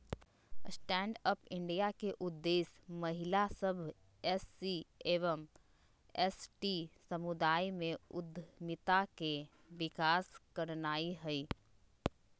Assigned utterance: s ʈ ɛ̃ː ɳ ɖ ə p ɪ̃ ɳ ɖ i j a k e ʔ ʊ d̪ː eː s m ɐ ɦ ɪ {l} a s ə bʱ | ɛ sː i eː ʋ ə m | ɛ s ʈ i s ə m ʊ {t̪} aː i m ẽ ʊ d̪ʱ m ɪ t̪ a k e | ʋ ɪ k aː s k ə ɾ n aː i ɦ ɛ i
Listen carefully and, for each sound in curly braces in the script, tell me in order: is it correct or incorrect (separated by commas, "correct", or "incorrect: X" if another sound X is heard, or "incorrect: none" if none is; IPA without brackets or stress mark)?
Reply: correct, incorrect: d̪